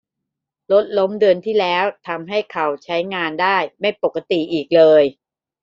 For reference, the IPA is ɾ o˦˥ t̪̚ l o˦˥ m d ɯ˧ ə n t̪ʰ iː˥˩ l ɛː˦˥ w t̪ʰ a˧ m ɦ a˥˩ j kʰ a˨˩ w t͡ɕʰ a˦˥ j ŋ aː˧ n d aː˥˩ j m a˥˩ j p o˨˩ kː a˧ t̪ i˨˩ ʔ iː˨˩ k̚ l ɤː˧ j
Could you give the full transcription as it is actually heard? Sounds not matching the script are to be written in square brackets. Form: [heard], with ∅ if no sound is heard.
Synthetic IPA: [l] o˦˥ t̪̚ l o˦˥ m d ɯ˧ ə n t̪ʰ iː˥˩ l ɛː˦˥ w t̪ʰ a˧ m ɦ a˥˩ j kʰ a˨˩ w t͡ɕʰ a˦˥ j ŋ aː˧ n d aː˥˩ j m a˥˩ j p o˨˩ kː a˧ t̪ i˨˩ ʔ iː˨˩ k̚ l ɤː˧ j

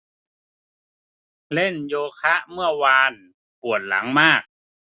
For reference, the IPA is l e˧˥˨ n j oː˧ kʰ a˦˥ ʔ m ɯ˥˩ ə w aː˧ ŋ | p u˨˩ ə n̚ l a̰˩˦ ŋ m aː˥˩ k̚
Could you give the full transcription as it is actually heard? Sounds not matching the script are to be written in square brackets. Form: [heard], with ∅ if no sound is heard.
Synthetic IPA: l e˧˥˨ n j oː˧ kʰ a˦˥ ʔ m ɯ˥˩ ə w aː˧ [n] | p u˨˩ ə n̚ l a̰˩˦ ŋ m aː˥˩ k̚

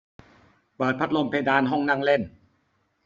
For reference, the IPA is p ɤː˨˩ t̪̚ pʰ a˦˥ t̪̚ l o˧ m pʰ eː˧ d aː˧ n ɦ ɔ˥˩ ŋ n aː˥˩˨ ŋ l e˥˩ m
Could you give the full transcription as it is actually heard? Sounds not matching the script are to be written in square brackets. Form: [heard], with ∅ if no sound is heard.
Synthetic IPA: p ɤː˨˩ t̪̚ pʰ a˦˥ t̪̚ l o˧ m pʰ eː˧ d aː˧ n ɦ ɔ˥˩ ŋ n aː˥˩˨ ŋ l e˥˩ [n]

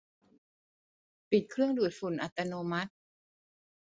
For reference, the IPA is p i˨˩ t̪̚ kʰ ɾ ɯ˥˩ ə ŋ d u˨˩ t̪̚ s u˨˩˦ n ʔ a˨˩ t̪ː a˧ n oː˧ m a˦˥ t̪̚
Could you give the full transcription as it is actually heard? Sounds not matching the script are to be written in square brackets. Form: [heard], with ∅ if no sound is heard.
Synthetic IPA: p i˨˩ t̪̚ kʰ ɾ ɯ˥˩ ə ŋ d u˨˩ t̪̚ [f] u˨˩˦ n ʔ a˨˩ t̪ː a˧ n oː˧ m a˦˥ t̪̚

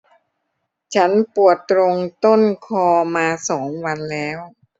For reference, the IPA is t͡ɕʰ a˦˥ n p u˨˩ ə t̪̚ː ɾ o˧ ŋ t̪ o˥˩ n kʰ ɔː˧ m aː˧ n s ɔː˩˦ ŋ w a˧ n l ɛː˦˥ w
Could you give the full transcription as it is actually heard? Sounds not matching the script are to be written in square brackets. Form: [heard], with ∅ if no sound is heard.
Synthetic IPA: t͡ɕʰ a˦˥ n p u˨˩ ə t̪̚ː ɾ o˧ ŋ t̪ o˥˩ n kʰ ɔː˧ m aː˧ [∅] s ɔː˩˦ ŋ w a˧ n l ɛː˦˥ w

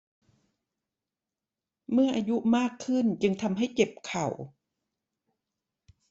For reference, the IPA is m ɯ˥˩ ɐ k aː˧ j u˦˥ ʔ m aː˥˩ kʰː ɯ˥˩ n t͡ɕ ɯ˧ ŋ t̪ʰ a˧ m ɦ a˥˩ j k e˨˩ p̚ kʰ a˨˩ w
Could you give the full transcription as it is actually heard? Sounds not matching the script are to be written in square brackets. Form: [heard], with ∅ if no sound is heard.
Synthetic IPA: m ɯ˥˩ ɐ [ʔ] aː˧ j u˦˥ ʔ m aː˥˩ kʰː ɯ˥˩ n t͡ɕ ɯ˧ ŋ t̪ʰ a˧ m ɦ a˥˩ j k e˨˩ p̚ kʰ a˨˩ w

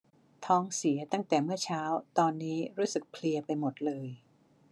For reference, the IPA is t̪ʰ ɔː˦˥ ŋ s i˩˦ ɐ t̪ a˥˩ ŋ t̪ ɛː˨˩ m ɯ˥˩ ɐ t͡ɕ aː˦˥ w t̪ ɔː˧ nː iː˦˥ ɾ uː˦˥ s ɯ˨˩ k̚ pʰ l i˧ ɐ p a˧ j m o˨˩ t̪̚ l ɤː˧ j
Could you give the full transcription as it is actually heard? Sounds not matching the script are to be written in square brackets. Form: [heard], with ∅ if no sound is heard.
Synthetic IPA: t̪ʰ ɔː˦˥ ŋ s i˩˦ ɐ t̪ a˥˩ ŋ t̪ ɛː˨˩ m ɯ˥˩ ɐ [t͡ɕʰ] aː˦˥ w t̪ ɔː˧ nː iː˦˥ ɾ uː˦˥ s ɯ˨˩ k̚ pʰ l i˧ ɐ p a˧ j m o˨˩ t̪̚ l ɤː˧ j

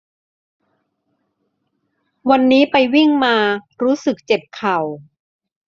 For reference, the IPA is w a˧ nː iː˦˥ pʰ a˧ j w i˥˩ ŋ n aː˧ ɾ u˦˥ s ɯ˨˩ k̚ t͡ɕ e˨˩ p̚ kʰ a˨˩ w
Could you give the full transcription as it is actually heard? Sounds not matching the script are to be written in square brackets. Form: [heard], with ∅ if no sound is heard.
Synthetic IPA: w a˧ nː iː˦˥ [p] a˧ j w i˥˩ ŋ [m] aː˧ ɾ [uː˦˥] s ɯ˨˩ k̚ t͡ɕ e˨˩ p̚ kʰ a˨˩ w

